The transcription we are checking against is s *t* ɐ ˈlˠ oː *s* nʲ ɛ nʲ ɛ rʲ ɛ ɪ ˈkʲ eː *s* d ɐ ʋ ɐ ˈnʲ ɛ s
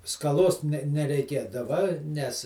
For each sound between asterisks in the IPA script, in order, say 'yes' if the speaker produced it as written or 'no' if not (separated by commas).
no, yes, no